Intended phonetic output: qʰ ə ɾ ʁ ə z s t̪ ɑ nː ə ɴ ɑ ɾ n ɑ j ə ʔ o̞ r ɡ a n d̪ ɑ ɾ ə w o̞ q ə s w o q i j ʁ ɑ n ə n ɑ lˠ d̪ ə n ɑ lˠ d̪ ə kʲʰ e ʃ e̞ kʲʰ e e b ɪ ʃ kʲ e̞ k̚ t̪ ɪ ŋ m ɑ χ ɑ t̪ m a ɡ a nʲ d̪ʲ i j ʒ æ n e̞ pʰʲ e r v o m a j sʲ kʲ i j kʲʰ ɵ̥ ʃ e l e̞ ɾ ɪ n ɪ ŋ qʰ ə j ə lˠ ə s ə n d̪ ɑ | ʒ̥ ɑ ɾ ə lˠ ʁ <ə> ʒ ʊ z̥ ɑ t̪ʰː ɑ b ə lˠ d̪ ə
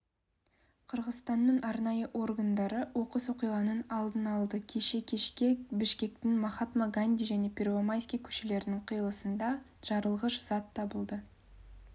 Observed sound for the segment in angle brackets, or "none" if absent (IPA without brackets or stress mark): ə